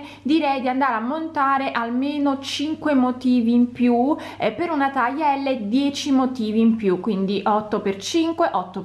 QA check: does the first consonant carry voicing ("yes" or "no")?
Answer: yes